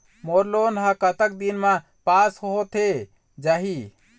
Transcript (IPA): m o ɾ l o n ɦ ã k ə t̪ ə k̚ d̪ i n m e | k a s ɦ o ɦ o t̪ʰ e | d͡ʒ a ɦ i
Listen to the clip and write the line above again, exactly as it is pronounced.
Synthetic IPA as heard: m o ɾ l o n ɦ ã k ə t̪ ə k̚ d̪ i n m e | p a s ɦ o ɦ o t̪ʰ e | d͡ʒ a ɦ i